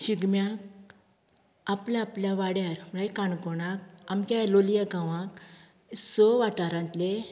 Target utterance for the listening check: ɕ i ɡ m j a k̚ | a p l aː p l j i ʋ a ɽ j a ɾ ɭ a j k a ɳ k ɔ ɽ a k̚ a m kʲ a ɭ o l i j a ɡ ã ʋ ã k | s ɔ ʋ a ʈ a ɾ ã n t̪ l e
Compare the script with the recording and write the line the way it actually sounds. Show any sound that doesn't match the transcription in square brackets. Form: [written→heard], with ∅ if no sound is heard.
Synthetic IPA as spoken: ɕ i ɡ m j a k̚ | a p l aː p l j [i→a] ʋ a ɽ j a ɾ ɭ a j k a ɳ k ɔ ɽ a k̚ a m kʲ a [ɭ→l] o l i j a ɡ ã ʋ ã k | s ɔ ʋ a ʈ a ɾ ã n t̪ l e